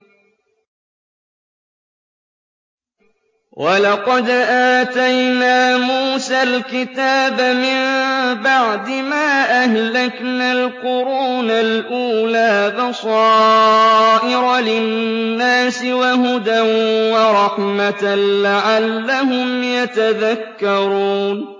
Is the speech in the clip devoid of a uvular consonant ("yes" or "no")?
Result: no